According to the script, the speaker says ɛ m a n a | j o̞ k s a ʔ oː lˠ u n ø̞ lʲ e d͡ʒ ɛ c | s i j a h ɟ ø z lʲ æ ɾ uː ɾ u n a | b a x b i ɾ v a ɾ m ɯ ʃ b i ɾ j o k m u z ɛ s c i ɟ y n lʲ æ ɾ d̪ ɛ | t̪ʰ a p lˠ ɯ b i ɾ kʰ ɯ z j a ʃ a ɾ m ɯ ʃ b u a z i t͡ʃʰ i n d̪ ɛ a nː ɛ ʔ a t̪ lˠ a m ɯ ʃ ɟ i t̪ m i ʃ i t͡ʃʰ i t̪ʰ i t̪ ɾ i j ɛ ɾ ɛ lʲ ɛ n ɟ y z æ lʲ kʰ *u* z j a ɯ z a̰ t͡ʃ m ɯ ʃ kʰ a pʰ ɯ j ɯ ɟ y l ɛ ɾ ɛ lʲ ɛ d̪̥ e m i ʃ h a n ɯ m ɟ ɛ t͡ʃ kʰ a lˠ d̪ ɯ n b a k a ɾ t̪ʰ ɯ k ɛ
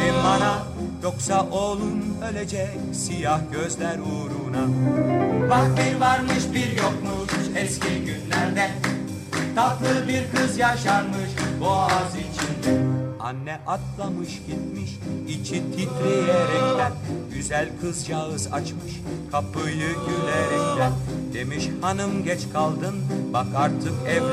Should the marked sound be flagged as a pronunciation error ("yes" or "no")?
yes